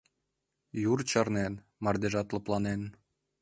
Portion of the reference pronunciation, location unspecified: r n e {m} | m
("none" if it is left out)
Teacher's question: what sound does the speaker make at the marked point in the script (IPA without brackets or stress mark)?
n